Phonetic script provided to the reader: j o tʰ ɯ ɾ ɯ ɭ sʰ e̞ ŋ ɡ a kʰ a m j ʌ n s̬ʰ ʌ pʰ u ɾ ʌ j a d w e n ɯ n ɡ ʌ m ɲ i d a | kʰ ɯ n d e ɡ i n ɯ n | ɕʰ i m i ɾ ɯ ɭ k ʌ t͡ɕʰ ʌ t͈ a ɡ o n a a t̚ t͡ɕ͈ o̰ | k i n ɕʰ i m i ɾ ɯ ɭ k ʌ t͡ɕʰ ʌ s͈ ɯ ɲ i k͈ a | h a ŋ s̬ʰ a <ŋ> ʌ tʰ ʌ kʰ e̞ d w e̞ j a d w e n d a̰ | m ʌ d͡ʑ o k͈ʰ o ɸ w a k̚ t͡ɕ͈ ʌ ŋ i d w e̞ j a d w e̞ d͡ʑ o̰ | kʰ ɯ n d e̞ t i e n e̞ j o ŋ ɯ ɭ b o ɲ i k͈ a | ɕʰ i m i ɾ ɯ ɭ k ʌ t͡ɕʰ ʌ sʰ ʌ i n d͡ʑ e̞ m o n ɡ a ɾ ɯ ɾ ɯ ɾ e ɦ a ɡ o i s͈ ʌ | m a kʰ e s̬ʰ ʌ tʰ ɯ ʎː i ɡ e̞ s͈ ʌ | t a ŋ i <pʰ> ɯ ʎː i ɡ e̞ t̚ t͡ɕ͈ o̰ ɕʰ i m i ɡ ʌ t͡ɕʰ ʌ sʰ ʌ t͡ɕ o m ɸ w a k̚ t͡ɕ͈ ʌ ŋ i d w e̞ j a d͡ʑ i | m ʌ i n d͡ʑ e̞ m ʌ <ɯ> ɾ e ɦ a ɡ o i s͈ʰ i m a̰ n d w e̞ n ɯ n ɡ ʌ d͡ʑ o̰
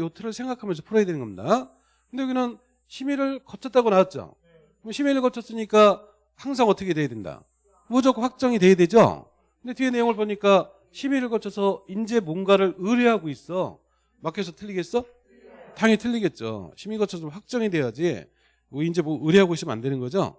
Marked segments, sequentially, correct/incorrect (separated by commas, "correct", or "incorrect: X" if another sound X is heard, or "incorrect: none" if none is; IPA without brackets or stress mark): correct, incorrect: tʰ, correct